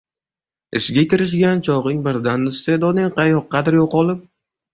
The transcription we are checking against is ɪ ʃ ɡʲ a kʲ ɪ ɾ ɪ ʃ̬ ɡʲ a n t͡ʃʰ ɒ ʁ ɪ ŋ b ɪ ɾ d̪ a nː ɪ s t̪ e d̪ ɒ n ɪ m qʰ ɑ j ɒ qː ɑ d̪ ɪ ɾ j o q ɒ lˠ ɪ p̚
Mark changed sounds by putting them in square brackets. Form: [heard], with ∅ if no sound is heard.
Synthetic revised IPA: ɪ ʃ ɡʲ a kʲ ɪ ɾ ɪ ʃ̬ ɡʲ a n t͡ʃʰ ɒ ʁ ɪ ŋ b ɪ ɾ d̪ a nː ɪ s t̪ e d̪ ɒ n ɪ [ŋ] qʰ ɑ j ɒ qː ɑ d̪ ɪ ɾ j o q ɒ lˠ ɪ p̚